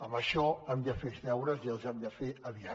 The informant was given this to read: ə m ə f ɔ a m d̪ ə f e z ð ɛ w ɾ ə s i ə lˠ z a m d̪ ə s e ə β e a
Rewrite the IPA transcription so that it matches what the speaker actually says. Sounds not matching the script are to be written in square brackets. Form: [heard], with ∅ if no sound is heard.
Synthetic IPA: ə m ə [ʃ] ɔ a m d̪ ə f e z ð ɛ w ɾ ə [z] i ə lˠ z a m d̪ ə [f] e ə β [i] a